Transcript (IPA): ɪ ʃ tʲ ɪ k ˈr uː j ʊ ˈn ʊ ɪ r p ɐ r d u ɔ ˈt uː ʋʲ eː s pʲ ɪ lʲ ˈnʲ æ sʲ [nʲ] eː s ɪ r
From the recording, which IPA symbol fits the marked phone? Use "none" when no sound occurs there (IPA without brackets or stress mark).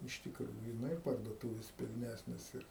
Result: nʲ